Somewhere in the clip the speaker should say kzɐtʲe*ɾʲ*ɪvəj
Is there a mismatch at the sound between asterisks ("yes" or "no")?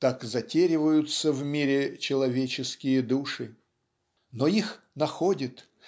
no